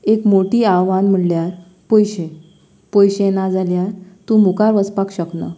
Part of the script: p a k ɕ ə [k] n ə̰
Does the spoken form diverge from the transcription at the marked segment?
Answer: no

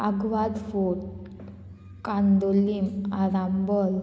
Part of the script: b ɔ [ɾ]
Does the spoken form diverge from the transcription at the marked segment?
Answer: yes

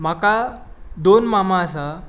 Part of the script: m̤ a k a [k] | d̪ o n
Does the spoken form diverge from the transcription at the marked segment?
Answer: yes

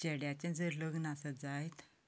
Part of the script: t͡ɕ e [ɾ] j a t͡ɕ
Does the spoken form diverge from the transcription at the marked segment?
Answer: yes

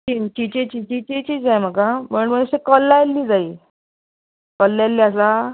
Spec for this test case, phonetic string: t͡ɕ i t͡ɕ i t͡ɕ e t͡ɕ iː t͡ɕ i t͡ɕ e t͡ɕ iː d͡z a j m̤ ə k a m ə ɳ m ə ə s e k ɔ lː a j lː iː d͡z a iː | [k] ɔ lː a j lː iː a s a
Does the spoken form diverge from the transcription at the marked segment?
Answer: no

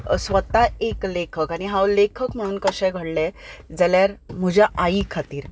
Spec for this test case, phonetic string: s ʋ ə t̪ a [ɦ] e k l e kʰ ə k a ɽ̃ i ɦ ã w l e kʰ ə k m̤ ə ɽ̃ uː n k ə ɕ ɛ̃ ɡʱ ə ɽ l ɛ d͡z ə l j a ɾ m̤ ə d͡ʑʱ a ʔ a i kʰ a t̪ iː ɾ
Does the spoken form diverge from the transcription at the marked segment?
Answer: yes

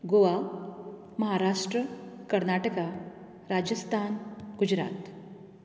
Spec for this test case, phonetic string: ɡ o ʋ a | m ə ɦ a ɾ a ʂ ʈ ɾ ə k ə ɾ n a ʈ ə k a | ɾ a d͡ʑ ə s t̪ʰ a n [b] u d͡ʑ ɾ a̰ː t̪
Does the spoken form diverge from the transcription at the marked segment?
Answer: yes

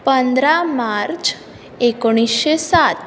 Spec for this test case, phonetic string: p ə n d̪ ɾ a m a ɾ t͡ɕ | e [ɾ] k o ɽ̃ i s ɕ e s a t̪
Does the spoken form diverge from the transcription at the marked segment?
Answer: yes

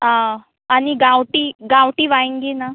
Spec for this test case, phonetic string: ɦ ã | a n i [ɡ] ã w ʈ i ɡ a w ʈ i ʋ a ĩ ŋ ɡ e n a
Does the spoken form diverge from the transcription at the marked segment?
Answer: no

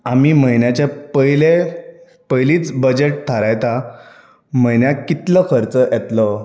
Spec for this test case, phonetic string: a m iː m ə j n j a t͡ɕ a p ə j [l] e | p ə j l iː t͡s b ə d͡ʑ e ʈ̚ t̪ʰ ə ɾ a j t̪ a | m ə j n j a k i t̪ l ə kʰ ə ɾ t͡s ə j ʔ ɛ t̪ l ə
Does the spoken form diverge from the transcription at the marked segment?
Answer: no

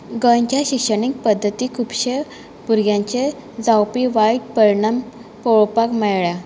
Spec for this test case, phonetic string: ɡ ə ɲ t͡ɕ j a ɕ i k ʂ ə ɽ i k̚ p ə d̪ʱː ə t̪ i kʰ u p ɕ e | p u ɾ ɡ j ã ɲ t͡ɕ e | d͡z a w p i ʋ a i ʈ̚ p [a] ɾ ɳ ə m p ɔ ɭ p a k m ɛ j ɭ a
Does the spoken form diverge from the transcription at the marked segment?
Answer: yes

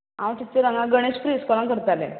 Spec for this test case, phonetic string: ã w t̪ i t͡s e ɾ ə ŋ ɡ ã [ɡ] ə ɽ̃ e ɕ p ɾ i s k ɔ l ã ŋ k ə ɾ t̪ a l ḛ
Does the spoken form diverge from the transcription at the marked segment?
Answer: no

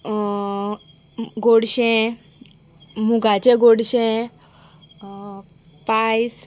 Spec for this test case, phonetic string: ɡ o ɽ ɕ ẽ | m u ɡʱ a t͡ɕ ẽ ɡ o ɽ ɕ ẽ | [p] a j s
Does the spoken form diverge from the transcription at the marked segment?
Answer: no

